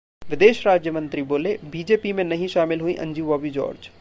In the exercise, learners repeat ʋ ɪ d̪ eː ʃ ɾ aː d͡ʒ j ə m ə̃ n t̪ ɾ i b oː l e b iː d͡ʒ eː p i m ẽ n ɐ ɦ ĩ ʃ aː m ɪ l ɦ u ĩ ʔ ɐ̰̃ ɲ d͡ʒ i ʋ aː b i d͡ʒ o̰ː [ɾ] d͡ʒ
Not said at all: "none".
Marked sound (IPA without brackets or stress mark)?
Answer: ɾ